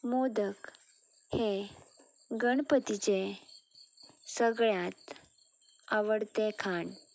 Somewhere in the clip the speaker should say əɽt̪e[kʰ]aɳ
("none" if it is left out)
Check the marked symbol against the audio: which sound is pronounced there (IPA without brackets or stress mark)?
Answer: kʰ